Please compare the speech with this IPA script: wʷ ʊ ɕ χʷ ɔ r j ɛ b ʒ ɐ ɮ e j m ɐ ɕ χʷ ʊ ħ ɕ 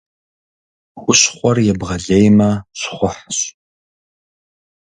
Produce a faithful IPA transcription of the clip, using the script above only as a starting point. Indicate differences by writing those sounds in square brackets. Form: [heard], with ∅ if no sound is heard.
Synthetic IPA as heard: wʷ ʊ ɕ χʷ ɔ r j ɛ b [ʁ] ɐ ɮ e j m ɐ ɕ χʷ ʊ ħ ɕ